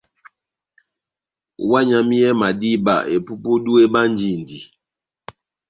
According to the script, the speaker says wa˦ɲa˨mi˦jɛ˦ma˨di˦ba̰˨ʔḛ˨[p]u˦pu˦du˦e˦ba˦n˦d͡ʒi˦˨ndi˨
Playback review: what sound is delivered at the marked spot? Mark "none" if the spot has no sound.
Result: p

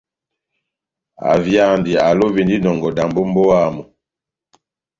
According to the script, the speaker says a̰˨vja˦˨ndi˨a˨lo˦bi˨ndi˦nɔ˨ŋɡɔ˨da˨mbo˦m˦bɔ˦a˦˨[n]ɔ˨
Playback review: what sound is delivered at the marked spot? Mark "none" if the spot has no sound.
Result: m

